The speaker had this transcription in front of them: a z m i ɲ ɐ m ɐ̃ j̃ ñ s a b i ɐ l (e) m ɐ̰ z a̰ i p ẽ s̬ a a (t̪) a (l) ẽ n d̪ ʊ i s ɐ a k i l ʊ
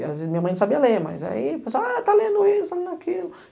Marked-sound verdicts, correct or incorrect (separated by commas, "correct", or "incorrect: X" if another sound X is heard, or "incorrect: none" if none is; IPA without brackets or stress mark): correct, correct, correct